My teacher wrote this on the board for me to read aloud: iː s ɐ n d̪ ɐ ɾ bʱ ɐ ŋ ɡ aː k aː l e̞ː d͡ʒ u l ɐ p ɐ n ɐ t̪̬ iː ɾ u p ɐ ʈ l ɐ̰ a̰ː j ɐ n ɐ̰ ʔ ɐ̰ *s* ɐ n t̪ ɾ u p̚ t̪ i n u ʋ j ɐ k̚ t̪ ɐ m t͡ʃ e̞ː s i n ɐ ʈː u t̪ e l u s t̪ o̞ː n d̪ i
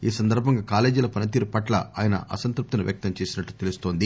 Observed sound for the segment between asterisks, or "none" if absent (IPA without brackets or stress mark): s